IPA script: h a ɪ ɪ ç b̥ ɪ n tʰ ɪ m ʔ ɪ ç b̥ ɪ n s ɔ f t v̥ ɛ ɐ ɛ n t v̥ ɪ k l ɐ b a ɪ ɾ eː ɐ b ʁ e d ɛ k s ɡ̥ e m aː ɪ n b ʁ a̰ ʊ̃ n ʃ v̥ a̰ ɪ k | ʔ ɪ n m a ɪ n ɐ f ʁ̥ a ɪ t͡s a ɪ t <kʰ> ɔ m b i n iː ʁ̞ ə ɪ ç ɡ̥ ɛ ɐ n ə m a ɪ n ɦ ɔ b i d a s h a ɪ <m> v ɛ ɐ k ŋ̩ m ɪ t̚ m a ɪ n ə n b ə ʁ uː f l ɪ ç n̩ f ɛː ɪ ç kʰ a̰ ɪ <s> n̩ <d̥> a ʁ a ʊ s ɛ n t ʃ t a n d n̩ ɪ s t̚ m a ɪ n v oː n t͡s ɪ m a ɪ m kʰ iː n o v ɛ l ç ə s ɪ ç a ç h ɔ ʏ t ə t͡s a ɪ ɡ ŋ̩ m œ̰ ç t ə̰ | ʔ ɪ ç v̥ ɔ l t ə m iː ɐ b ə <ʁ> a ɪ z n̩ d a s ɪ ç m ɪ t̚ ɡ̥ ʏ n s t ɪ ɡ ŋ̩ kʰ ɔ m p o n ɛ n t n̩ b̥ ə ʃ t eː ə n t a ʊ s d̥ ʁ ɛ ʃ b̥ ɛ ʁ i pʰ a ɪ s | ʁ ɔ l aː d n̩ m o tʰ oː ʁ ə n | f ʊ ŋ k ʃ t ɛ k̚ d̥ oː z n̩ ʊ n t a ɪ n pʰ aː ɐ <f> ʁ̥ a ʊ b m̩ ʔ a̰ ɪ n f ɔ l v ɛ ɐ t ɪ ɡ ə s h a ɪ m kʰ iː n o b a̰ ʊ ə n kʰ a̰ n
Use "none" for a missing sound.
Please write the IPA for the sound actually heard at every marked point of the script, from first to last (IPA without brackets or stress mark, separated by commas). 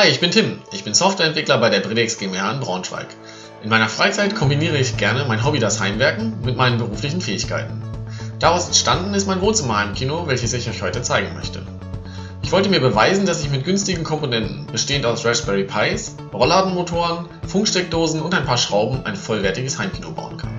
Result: kʰ, m, t, d̥, v, ʃ